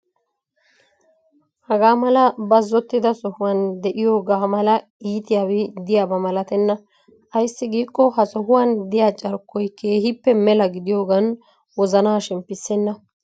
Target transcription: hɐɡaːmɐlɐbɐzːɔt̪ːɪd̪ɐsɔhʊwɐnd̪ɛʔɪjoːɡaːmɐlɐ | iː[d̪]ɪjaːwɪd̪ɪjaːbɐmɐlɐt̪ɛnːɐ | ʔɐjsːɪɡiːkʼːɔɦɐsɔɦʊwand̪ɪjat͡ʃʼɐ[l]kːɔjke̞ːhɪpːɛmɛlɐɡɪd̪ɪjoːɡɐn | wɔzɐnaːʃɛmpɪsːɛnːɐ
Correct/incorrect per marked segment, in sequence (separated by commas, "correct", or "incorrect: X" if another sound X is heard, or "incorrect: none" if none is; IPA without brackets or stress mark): incorrect: t̪, incorrect: ɾ